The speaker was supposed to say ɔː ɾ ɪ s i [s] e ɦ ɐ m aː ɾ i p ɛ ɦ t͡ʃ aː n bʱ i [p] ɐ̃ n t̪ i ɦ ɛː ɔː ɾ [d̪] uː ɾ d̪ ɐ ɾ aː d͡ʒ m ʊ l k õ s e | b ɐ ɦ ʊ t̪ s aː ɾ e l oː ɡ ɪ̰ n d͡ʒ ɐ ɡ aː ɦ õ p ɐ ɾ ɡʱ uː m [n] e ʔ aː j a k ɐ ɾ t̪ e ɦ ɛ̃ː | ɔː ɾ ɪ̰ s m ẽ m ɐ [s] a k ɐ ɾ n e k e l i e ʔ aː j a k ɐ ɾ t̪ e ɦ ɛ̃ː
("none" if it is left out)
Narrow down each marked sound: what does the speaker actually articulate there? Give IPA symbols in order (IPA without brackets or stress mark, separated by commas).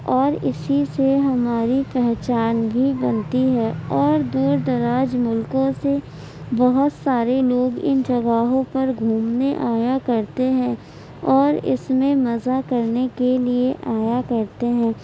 s, b, d̪, n, z